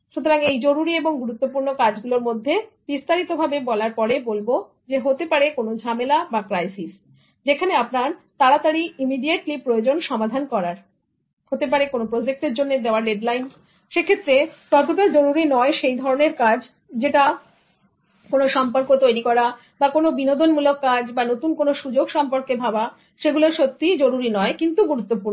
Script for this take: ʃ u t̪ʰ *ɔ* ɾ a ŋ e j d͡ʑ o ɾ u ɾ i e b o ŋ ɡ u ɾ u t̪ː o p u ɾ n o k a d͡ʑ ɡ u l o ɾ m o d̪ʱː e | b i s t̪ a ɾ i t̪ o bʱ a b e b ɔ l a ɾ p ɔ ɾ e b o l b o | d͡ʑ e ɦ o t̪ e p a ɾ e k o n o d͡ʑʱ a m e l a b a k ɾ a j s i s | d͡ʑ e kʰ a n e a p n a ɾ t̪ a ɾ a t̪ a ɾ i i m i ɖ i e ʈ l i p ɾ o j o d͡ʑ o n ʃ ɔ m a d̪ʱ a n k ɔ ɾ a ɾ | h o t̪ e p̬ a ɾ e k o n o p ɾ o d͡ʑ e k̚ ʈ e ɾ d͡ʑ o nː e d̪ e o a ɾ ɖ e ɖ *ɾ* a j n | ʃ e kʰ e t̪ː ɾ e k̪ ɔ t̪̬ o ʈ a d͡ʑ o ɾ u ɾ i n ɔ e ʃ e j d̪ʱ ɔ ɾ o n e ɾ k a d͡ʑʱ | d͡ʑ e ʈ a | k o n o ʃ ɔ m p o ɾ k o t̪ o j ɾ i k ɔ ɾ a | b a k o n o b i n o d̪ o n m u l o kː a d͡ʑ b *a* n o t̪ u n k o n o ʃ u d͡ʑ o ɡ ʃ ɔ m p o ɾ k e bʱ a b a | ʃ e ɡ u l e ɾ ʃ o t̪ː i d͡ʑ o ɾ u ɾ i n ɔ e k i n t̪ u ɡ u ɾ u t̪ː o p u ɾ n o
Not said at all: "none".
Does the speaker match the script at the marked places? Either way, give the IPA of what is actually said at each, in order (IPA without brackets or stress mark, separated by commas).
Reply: o, l, a